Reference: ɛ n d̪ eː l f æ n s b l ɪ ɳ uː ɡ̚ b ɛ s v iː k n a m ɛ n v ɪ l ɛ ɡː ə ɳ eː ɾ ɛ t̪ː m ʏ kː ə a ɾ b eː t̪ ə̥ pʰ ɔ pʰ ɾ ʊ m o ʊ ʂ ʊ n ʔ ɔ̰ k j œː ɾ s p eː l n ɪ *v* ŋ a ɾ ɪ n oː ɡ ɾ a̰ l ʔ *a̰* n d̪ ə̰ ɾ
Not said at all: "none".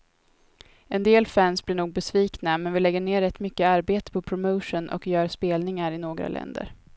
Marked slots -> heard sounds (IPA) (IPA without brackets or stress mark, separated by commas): none, ɛ̰